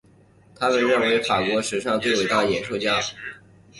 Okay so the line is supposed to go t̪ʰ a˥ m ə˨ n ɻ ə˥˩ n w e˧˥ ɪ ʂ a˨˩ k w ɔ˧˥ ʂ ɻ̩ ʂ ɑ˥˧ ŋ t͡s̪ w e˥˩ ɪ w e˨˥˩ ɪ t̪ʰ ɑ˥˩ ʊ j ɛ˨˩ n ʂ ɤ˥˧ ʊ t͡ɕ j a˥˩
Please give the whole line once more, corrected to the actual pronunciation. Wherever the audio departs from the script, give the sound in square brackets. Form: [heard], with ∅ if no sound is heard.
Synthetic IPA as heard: t̪ʰ a˥ m ə˨ n ɻ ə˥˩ n w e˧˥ ɪ [f] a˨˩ k w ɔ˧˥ ʂ ɻ̩ ʂ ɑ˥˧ ŋ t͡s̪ w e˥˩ ɪ w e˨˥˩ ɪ [t̪] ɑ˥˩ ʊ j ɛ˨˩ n ʂ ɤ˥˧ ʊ t͡ɕ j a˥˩